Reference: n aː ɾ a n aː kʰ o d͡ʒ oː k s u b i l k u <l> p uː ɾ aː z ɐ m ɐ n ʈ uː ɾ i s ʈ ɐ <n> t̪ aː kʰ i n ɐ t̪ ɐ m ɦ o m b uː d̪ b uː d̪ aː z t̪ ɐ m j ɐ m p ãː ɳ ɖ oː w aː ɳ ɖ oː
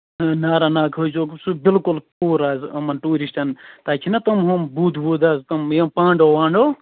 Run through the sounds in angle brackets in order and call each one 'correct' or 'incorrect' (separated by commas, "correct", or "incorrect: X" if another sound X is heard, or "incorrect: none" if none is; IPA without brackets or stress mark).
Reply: correct, correct